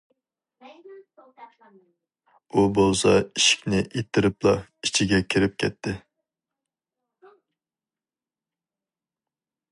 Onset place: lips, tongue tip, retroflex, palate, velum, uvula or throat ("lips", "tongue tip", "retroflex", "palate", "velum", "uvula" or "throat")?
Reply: lips